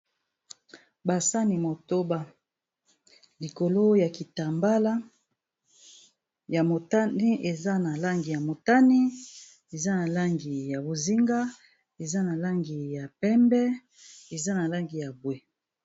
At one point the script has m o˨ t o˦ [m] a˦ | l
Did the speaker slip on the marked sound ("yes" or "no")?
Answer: yes